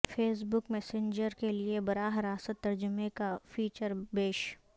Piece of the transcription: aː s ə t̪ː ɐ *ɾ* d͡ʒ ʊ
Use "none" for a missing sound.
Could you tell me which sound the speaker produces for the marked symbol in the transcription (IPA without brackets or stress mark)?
ɾ